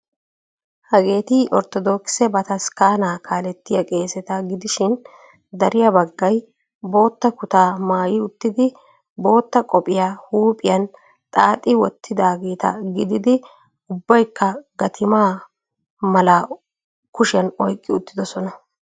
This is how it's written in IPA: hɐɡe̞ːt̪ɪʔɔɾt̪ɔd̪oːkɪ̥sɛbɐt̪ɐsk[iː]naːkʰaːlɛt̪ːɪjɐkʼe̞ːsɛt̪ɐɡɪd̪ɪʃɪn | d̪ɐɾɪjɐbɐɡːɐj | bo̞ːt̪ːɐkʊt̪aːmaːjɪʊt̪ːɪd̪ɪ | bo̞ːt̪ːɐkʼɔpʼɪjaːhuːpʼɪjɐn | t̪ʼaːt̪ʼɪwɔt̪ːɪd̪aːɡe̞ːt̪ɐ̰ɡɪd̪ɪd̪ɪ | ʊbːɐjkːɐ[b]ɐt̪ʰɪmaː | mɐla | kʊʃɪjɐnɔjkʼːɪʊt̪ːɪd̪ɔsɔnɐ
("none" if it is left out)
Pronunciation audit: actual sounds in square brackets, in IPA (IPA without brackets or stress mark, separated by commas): aː, ɡ